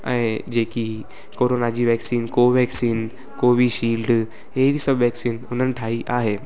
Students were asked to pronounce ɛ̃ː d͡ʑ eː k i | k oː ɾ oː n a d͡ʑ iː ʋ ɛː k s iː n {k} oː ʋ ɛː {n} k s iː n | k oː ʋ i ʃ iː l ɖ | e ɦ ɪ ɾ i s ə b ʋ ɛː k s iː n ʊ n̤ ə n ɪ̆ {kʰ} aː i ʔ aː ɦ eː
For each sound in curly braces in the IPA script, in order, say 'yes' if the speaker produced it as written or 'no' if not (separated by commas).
yes, no, no